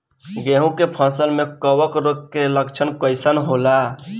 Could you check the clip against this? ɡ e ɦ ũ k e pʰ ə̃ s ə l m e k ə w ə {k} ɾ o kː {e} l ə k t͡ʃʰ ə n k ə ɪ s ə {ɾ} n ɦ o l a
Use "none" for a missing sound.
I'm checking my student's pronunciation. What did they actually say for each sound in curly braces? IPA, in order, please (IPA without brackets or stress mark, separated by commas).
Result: k, e, none